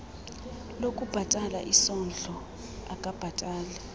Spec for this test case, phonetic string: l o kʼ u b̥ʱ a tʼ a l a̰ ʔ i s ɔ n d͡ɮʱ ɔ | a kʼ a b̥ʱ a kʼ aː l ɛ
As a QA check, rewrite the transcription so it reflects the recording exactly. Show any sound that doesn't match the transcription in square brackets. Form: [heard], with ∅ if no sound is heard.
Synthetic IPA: l o kʼ u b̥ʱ a tʼ a l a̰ ʔ i s ɔ n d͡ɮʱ ɔ | a kʼ a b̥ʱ a [tʼ] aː l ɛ